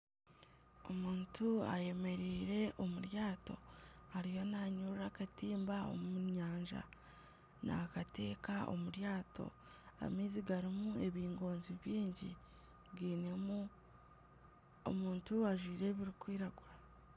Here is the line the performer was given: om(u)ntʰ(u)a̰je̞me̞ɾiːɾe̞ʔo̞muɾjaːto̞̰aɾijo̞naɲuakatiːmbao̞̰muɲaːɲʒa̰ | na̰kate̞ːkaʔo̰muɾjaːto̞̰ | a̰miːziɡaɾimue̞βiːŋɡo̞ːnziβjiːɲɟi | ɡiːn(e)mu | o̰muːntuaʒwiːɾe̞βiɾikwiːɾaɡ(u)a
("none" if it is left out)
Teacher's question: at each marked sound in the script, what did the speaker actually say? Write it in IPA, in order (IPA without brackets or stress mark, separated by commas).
uː, u, e, w